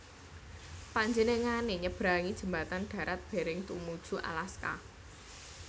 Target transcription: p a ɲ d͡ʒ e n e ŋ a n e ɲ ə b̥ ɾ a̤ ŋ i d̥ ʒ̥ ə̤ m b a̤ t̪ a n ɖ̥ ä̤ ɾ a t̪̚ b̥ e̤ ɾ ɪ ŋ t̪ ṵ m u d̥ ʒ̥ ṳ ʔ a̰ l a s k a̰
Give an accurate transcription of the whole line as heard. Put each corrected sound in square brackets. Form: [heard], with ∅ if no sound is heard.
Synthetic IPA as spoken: p a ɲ d͡ʒ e n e ŋ a n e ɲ ə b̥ ɾ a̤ ŋ i d̥ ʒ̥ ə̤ m b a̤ t̪ a n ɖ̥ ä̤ ɾ a t̪̚ b̥ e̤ ɾ ɪ ŋ t̪ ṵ m u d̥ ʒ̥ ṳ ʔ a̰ l a s k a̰